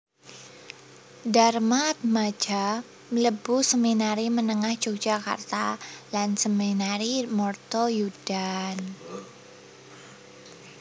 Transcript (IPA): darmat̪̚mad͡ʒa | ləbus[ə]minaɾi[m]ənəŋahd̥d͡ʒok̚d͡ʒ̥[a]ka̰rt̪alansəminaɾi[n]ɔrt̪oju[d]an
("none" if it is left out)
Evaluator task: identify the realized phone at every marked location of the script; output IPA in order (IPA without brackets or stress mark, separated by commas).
ə, m, a, m, d